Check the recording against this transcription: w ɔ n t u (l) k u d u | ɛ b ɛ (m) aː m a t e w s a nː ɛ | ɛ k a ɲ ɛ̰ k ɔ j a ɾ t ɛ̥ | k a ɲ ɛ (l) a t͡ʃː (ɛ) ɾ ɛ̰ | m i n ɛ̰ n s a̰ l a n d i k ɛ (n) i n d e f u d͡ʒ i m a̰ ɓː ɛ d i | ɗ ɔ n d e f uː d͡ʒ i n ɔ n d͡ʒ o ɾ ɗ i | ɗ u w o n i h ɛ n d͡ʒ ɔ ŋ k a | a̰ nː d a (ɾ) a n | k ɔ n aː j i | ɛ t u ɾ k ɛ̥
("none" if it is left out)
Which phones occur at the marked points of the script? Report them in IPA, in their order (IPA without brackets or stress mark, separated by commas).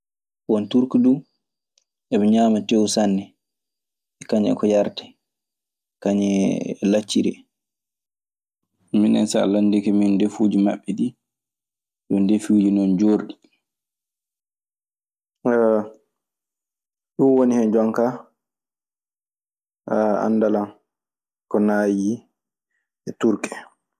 ɾ, ɲ, l, i, m, l